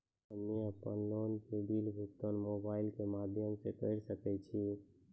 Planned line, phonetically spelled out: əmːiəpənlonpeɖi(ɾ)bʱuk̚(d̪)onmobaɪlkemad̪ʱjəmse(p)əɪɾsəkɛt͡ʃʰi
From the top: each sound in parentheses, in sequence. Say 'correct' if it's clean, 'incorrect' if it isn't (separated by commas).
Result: incorrect, incorrect, incorrect